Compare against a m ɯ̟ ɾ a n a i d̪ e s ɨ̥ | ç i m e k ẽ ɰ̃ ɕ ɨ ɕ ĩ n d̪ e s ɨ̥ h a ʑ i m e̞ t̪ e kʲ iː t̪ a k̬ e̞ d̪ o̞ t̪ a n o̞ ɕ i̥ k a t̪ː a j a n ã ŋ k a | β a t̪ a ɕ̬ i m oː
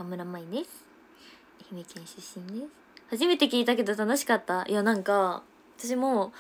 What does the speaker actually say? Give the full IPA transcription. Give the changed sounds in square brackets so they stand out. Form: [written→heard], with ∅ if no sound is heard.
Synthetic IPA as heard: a m ɯ̟ ɾ a [n→m] a i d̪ e s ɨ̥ | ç i m e k ẽ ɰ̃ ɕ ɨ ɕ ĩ n d̪ e s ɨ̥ h a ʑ i m e̞ t̪ e kʲ iː t̪ a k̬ e̞ d̪ o̞ t̪ a n o̞ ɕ i̥ k a t̪ː a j a n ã ŋ k a | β a t̪ a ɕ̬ i m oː

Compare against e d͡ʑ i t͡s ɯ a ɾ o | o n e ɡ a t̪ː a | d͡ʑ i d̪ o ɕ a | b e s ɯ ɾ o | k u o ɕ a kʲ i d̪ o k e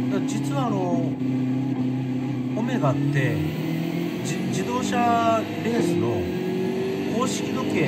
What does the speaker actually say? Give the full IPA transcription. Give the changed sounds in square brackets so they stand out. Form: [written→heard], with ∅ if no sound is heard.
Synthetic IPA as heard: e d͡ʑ i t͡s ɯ a ɾ o | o [n→m] e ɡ a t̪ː [a→e] | d͡ʑ i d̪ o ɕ a | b e s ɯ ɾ o | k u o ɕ [a→i] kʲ i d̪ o k e

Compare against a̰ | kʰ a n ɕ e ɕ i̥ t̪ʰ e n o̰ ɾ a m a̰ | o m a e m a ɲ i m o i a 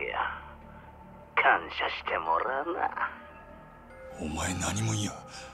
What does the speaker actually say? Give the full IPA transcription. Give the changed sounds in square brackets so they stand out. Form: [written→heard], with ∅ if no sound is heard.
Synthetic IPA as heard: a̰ | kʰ a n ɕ [e→a] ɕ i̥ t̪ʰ e [n→m] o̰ ɾ a [m→n] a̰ | o m a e [m→n] a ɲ i m o i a

